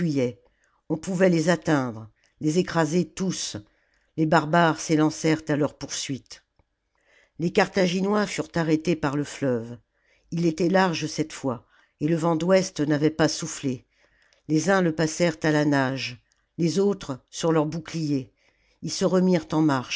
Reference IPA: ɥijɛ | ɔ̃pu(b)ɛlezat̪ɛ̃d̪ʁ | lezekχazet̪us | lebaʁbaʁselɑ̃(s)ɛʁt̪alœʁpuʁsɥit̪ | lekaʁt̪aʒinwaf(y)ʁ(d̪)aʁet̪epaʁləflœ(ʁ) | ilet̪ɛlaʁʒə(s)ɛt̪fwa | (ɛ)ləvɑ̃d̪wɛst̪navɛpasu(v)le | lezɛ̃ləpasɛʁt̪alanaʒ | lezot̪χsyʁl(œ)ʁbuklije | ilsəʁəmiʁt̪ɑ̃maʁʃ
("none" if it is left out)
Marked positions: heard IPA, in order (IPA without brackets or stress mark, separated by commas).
v, s, y, t̪, v, s, e, f, œ